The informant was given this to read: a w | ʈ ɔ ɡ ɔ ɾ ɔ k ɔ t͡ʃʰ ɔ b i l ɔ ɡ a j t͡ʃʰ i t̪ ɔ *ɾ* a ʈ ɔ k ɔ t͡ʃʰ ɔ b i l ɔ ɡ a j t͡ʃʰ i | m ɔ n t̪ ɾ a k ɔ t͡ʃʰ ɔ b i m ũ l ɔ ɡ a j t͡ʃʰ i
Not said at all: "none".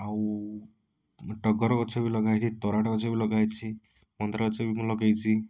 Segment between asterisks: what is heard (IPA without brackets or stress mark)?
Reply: ɾ